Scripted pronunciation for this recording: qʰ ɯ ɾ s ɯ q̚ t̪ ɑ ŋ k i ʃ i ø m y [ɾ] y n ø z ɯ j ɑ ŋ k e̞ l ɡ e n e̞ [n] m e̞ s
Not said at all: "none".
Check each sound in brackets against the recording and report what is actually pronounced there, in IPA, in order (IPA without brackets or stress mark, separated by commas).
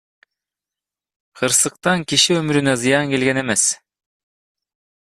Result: ɾ, none